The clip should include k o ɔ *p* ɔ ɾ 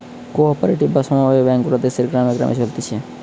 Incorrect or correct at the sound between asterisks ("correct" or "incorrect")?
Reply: correct